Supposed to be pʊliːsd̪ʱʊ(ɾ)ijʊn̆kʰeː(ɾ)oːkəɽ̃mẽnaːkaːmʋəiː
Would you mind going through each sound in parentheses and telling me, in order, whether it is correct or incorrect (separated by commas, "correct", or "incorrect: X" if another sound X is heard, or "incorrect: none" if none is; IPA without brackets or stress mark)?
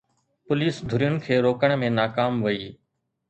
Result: correct, correct